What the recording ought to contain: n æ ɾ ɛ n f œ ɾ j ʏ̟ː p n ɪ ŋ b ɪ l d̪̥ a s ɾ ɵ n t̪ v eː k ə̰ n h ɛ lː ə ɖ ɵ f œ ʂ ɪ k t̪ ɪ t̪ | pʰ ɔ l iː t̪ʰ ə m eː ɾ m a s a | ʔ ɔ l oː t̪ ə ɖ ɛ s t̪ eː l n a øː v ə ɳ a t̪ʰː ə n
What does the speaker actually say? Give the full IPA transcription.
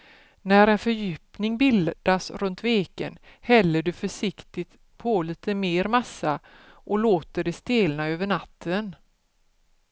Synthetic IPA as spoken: n æ ɾ ɛ n f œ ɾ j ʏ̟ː p n ɪ ŋ b ɪ l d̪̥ a s ɾ ɵ n t̪ v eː k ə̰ n h ɛ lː ə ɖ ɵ f œ ʂ ɪ k t̪ ɪ t̪ | pʰ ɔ l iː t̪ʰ ə m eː ɾ m a s a | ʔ ɔ l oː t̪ ə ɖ ɛ s t̪ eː l n a øː v ə ɳ a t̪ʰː ə n